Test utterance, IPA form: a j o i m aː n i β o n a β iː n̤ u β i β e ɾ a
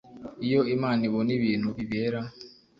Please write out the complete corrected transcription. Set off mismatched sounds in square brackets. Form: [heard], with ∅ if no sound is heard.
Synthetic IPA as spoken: [i] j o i m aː n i β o n [i] β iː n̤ u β i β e ɾ a